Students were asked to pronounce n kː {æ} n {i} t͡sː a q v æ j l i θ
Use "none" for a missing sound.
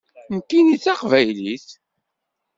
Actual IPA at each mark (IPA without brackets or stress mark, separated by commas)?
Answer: i, i